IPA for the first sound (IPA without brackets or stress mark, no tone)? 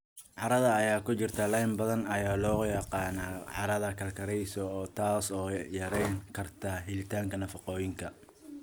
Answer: ʕ